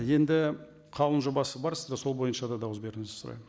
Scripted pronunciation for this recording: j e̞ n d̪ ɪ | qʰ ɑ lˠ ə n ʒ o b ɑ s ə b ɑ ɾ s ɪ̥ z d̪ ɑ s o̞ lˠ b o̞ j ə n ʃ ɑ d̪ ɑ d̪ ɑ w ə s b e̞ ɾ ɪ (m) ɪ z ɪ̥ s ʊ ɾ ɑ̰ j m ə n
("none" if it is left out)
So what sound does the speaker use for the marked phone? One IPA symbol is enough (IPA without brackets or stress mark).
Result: ŋ